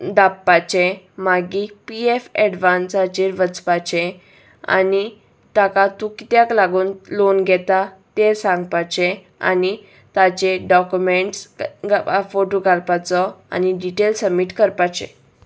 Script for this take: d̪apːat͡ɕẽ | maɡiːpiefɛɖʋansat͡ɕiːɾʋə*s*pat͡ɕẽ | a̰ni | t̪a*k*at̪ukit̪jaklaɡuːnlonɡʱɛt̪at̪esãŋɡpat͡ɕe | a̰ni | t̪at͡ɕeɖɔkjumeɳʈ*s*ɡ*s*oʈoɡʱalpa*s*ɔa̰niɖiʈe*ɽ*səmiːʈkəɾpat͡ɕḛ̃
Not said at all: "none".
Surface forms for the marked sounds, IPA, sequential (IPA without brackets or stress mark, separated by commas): t͡s, k, s, f, t͡s, l